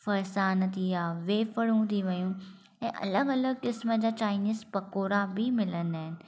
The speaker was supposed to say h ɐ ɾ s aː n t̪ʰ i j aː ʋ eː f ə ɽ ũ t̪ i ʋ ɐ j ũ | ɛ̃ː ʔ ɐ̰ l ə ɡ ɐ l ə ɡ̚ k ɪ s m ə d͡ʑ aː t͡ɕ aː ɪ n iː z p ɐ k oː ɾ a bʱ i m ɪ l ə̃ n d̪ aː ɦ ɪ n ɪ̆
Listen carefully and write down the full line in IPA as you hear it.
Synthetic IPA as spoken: f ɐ ɾ s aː n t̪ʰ i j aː ʋ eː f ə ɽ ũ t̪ i ʋ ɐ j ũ | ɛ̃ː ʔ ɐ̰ l ə ɡ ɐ l ə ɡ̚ k ɪ s m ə d͡ʑ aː t͡ɕ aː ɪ n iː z p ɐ k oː ɾ a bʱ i m ɪ l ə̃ n d̪ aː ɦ ɪ n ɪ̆